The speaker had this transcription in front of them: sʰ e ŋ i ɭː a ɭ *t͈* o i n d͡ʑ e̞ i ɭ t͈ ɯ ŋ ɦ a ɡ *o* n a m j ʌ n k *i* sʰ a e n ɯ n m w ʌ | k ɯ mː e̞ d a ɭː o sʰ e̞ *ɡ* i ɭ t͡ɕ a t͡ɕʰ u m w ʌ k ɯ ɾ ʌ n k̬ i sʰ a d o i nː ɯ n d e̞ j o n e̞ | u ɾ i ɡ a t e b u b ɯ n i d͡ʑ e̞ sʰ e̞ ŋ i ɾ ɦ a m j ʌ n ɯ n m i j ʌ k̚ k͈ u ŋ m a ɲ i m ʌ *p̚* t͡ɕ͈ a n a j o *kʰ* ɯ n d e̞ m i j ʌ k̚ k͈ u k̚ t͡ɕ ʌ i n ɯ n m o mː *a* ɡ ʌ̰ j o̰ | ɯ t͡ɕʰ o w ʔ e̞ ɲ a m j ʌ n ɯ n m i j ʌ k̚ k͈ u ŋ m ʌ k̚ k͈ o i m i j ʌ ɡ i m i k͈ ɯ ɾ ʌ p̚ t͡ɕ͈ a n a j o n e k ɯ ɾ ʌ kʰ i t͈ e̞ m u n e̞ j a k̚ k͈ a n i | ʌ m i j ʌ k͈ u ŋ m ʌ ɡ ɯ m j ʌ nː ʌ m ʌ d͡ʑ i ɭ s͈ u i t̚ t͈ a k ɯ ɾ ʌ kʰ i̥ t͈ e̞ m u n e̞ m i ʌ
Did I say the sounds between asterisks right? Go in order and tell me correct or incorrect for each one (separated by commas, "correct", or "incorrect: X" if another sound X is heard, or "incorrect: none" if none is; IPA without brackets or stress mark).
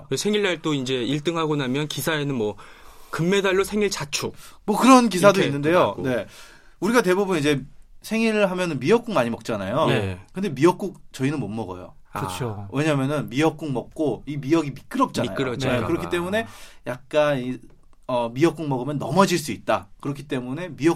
correct, correct, correct, incorrect: ŋ, incorrect: k̚, incorrect: k, incorrect: ʌ